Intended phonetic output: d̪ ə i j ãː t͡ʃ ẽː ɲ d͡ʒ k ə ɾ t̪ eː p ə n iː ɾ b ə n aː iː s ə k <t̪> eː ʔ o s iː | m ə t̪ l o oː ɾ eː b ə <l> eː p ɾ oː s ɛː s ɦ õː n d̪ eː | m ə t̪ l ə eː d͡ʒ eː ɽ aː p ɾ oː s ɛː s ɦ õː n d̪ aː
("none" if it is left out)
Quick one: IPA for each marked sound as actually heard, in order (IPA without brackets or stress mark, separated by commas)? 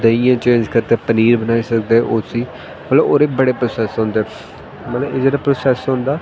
d̪, ɽ